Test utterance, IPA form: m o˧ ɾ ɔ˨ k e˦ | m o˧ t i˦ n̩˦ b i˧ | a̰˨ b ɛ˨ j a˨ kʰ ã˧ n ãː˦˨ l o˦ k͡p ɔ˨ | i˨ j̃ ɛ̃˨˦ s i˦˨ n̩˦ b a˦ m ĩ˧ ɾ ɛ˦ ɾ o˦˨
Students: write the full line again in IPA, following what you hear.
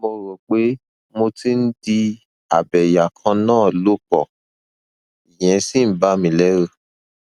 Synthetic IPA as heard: m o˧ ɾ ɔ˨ k͡p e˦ | m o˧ t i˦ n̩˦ d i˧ | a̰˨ b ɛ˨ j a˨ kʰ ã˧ n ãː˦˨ l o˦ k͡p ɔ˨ | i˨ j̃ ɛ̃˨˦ s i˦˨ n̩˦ b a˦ m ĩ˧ l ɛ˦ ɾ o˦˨